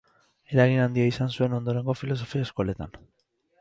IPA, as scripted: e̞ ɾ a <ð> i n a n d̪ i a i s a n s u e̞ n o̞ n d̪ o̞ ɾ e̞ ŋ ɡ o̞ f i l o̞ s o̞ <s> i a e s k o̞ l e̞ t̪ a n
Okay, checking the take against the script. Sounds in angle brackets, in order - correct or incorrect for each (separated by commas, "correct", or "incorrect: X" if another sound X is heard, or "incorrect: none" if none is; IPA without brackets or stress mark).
incorrect: ɣ, incorrect: f